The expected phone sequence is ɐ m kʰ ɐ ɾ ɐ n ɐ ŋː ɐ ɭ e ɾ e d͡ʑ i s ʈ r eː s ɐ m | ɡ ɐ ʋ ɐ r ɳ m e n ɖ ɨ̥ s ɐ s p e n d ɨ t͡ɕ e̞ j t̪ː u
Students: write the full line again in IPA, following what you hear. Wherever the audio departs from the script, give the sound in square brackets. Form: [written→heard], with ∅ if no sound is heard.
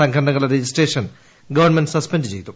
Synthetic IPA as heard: ɐ [m→ŋ] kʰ ɐ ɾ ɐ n ɐ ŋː ɐ ɭ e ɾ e d͡ʑ i s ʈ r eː [s→ʂ] ɐ [m→n] | ɡ ɐ ʋ ɐ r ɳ m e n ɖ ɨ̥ s ɐ s p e n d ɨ t͡ɕ e̞ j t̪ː u